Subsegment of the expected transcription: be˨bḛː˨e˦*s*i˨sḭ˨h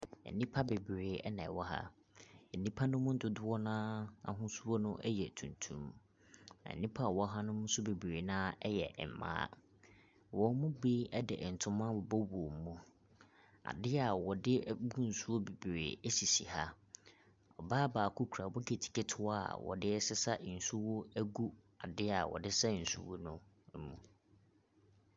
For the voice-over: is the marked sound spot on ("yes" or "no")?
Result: yes